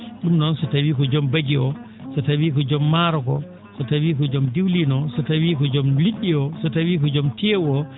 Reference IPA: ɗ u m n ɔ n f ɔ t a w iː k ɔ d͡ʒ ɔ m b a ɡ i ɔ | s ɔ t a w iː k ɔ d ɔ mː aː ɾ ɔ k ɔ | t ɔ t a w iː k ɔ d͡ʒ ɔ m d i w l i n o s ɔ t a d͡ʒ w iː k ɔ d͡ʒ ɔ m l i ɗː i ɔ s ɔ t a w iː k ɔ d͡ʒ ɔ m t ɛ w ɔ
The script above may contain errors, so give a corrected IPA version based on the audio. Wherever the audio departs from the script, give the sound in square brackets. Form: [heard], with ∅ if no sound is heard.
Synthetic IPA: ɗ u m n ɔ n [s] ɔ t a w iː k ɔ d͡ʒ ɔ m b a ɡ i ɔ | s ɔ t a w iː k ɔ [d͡ʒ] ɔ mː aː ɾ ɔ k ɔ | [s] ɔ t a w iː k ɔ d͡ʒ ɔ m d i w l i n [ɔ] s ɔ t a [∅] w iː k ɔ d͡ʒ ɔ m l i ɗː i ɔ s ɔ t a w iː k ɔ d͡ʒ ɔ m t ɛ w ɔ

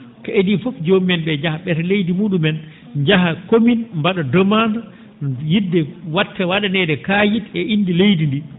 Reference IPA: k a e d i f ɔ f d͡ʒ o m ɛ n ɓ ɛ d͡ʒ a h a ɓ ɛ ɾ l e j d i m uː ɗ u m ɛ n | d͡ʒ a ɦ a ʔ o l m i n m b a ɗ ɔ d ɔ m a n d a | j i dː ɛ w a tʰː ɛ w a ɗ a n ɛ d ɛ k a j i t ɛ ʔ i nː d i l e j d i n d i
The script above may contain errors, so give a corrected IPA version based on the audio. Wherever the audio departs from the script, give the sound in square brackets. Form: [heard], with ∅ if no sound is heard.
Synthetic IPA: k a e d i f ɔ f d͡ʒ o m ɛ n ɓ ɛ d͡ʒ a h a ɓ ɛ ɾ l e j d i m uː ɗ u m ɛ n | d͡ʒ a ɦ a [k] o [∅] m i n m b a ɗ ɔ d ɔ m a n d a | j i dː ɛ w a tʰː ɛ w a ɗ a n ɛ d ɛ k a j i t ɛ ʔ i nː d i l e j d i n d i

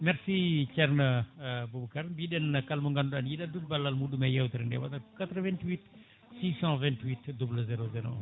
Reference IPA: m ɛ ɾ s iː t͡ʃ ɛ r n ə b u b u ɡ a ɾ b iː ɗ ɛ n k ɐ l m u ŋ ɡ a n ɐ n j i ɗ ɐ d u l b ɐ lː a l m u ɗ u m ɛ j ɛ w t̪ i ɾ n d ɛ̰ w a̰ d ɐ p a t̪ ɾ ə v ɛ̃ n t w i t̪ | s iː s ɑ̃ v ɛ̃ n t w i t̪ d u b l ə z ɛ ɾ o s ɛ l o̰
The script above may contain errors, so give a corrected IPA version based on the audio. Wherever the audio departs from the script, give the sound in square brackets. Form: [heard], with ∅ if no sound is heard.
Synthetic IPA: m ɛ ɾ s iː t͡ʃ ɛ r n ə b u b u [k] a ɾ b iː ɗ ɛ n k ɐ l m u ŋ ɡ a n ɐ n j i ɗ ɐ d u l b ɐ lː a l m u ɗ u m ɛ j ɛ w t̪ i ɾ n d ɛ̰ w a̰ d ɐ [k] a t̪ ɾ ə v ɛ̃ n t w i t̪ | s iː s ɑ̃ v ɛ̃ n t w i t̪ d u b l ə z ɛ ɾ o [z] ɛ [ɾ] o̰

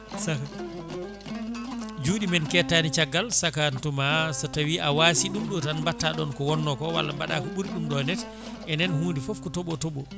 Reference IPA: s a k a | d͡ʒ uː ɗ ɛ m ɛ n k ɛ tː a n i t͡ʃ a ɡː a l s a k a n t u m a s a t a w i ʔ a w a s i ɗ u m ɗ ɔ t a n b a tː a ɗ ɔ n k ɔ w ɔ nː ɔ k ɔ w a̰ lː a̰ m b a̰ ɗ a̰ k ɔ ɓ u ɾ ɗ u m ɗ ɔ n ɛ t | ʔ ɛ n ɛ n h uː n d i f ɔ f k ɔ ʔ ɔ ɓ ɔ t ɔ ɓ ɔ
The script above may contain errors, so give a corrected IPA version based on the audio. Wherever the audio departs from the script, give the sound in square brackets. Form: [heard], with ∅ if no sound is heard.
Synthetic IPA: s a k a | d͡ʒ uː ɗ [i] m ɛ n k ɛ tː a n i t͡ʃ a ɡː a l s a k a n t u m a s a t a w i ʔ a w a s i ɗ u m ɗ ɔ t a n b a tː a ɗ ɔ n k ɔ w ɔ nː ɔ k ɔ w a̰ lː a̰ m b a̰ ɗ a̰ k ɔ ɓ u ɾ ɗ u m ɗ ɔ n ɛ t | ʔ ɛ n ɛ n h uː n d i f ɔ f k ɔ [t] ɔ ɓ ɔ t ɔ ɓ ɔ

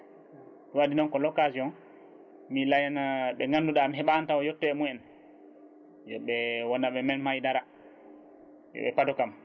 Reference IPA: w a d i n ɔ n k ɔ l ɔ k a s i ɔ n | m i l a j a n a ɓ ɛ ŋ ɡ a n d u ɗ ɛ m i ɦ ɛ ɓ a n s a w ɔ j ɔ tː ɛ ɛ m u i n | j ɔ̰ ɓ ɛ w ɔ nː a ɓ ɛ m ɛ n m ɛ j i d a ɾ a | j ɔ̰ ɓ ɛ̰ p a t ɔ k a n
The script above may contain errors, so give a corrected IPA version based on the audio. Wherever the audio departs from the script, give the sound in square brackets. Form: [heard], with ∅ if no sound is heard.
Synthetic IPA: w a d i n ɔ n k ɔ l ɔ k a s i ɔ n | m i l a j a n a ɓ ɛ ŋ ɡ a n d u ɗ [a] m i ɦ ɛ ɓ a n [t] a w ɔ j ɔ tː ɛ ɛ m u [ɛ] n | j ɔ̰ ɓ ɛ w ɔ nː a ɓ ɛ m ɛ n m [a] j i d a ɾ a | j ɔ̰ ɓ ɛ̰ p a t ɔ k a [m]

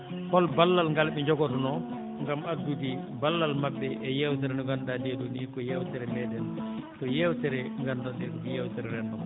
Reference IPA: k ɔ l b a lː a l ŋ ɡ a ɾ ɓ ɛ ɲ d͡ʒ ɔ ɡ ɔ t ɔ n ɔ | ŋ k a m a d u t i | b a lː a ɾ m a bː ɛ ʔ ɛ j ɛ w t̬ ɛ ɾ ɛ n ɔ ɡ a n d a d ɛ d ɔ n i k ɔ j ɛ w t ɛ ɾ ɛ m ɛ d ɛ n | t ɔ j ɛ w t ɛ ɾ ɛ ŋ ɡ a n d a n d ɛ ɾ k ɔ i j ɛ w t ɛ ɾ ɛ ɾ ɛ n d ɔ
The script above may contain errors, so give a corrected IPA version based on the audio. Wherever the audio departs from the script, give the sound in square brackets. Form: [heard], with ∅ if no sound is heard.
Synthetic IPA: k ɔ l b a lː a l ŋ ɡ a [l] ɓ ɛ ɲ d͡ʒ ɔ ɡ ɔ t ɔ n ɔ | ŋ [ɡ] a m a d u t i | b a lː a [l] m a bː ɛ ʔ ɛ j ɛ w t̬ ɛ ɾ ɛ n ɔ ɡ a n d a d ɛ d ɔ n i k ɔ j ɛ w t ɛ ɾ ɛ m ɛ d ɛ n | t ɔ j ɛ w t ɛ ɾ ɛ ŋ ɡ a n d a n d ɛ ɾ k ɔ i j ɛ w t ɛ ɾ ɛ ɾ ɛ n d ɔ

